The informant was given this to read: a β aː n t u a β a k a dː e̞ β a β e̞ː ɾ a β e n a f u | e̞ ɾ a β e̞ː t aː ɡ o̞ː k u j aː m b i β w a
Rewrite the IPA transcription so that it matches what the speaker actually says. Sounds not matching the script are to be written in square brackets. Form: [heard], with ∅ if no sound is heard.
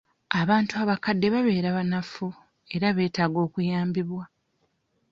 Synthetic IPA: a β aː n t u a β a k a dː e̞ β a β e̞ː ɾ a β [a] n a f u | e̞ ɾ a β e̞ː t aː ɡ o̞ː k u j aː m b i β w a